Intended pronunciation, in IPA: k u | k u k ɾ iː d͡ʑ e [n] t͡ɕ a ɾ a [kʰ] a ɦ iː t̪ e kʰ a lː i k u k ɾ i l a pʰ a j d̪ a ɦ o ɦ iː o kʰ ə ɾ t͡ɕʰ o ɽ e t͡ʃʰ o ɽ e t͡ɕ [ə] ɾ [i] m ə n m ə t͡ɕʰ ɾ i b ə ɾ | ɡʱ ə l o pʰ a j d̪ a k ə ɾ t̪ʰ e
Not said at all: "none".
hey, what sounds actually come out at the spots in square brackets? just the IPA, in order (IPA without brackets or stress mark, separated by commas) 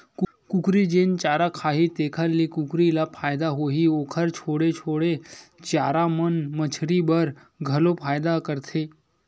n, kʰ, a, a